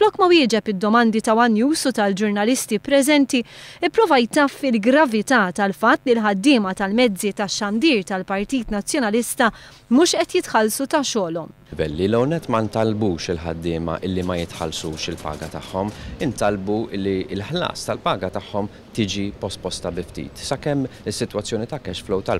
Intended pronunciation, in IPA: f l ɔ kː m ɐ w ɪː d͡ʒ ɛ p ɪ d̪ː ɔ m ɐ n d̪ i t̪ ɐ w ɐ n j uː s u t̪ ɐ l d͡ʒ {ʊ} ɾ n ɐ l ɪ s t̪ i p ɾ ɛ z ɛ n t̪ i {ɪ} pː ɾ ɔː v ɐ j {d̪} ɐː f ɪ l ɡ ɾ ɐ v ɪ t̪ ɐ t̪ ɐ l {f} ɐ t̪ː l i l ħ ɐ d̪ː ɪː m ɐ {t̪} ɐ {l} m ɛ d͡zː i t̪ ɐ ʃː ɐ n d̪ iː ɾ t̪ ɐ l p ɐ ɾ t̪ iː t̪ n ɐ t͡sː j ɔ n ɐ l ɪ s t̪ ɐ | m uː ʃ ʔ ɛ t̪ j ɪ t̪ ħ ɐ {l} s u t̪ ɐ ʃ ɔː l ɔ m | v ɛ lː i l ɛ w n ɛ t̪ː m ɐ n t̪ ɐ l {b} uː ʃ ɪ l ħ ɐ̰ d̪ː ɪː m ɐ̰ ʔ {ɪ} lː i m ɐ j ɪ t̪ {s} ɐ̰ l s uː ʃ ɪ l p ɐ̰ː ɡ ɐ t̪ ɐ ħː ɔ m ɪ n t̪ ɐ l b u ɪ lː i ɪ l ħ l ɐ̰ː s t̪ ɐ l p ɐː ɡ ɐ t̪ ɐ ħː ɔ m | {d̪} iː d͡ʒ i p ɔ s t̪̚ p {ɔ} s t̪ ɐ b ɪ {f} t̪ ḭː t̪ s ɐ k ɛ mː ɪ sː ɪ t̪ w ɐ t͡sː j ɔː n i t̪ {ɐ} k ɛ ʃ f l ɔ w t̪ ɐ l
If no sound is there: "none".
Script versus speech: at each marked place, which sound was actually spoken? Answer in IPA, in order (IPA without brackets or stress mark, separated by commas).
ʊ, ɪ, t̪, f, t̪, l, l, b, ɪ, ħ, t̪, ɔ, f, ɐ